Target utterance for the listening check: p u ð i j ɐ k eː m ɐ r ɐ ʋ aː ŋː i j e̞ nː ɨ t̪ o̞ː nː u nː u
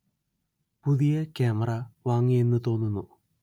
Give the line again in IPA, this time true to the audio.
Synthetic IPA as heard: p u ð i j ɐ k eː m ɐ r ɐ ʋ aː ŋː i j e̞ nː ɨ t̪ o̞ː nː u nː u